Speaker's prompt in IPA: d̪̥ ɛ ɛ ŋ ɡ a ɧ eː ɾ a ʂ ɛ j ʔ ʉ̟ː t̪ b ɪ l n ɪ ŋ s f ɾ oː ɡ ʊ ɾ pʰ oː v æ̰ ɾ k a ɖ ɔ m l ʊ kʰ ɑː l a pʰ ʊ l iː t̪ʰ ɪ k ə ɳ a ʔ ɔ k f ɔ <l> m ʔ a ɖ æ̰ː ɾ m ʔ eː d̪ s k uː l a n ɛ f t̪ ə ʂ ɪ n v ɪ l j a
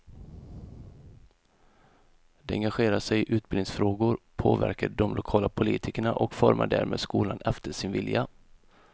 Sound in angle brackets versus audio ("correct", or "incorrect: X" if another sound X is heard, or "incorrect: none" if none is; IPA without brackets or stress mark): incorrect: ɾ